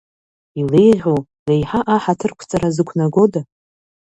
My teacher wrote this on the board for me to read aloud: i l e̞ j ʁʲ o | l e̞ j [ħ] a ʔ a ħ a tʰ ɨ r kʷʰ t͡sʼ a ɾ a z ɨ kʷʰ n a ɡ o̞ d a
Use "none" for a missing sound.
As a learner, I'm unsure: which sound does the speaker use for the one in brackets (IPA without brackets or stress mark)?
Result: ħ